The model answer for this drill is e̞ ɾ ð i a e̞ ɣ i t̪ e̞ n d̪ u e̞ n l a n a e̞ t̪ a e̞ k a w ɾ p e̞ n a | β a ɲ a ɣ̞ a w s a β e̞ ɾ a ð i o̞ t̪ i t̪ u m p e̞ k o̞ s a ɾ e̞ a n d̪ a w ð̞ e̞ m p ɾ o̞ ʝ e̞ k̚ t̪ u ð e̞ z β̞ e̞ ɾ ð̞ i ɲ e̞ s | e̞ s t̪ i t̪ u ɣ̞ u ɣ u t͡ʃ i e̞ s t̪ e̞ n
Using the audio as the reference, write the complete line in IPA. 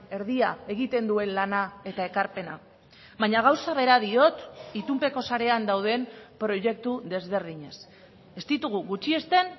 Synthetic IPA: e̞ ɾ ð i a e̞ ɣ i t̪ e̞ n d̪ u e̞ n l a n a e̞ t̪ a e̞ k a ɾ p e̞ n a | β a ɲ a ɣ̞ a w s a β e̞ ɾ a ð i o̞ t̪ i t̪ u m p e̞ k o̞ s a ɾ e̞ a n d̪ a w ð̞ e̞ m p ɾ o̞ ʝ e̞ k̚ t̪ u ð e̞ z β̞ e̞ ɾ ð̞ i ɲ e̞ s | e̞ s t̪ i t̪ u ɣ̞ u ɣ u t͡ʃ i e̞ s t̪ e̞ n